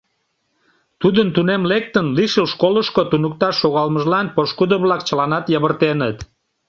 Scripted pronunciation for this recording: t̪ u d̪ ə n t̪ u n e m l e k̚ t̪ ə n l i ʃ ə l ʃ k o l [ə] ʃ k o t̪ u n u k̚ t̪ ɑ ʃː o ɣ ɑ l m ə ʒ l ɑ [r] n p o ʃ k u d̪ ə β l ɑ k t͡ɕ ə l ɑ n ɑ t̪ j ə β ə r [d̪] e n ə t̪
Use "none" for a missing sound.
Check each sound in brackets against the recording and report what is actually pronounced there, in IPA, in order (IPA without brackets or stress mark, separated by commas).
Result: ə, none, t̪